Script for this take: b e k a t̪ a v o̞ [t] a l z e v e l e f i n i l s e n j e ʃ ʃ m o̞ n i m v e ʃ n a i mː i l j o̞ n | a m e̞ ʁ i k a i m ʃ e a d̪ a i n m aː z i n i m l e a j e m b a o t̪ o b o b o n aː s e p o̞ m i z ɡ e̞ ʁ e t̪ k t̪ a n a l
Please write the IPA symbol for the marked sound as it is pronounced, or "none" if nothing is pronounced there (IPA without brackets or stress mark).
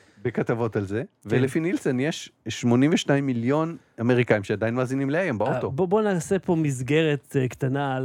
t